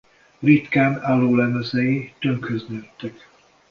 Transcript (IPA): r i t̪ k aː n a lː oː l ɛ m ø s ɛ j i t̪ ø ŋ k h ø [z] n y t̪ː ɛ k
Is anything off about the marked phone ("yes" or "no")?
no